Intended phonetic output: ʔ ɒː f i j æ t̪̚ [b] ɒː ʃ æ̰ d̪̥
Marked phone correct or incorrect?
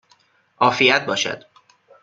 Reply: correct